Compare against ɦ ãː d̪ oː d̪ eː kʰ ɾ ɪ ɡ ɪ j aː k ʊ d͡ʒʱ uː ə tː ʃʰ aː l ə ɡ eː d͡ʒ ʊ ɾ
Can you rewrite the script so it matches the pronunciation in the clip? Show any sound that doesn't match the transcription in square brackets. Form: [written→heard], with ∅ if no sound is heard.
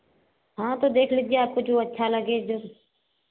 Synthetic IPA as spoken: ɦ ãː [d̪→t̪] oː d̪ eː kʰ [ɾ→l] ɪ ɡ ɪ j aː k ʊ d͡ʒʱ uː ə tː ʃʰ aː l ə ɡ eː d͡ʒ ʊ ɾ